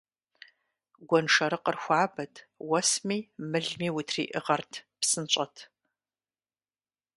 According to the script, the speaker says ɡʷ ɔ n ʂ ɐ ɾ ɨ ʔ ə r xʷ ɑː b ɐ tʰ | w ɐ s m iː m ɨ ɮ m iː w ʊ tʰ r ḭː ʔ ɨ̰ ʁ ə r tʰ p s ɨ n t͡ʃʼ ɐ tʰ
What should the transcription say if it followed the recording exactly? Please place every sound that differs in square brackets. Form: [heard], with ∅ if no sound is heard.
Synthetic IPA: ɡʷ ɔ n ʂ ɐ ɾ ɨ [q] ə r xʷ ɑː b ɐ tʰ | w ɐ s m iː m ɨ ɮ m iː w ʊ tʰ r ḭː ʔ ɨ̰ ʁ [ɐ] r tʰ p s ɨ n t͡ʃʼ ɐ tʰ